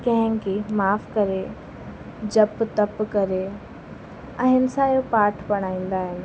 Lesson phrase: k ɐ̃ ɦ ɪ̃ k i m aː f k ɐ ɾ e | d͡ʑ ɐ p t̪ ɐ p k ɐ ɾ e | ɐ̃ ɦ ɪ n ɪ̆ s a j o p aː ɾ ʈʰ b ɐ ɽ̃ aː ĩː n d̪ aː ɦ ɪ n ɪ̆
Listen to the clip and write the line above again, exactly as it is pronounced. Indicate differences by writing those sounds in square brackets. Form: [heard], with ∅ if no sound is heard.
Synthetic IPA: k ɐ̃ ɦ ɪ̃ k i m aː f k ɐ ɾ e | d͡ʑ ɐ p t̪ ɐ p k ɐ ɾ e | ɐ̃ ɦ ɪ n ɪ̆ s a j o p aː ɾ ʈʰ b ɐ ɽ̃ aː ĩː n d̪ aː ɦ ɪ n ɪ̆